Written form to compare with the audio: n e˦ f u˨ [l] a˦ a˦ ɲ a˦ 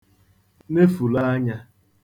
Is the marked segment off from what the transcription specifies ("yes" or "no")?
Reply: no